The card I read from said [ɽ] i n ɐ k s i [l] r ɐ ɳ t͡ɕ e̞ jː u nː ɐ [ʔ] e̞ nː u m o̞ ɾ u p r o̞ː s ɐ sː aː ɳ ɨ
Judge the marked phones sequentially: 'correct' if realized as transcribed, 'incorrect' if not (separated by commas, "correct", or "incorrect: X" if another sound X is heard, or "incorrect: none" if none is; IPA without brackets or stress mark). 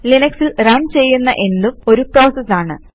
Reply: incorrect: l, correct, correct